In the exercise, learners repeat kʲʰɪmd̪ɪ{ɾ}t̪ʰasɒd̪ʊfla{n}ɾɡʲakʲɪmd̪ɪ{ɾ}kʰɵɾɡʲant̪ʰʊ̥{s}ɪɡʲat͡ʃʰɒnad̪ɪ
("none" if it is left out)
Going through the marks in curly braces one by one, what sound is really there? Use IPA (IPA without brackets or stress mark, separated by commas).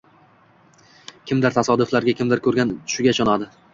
ɾ, none, ɾ, ʃ